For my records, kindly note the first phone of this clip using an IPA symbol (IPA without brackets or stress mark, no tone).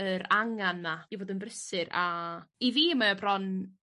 ə